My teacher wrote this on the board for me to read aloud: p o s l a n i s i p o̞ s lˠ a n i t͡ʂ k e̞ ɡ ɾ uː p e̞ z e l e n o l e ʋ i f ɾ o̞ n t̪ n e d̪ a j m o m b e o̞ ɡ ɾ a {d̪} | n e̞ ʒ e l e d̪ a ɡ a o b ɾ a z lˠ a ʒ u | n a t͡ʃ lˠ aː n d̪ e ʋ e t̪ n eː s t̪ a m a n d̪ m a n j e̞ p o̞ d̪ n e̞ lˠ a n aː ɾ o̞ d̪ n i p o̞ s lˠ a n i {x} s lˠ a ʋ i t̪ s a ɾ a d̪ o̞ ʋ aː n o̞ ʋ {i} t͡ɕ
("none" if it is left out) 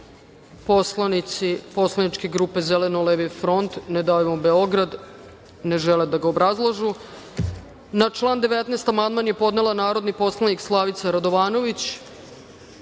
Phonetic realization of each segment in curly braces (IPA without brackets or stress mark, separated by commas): d̪, k, i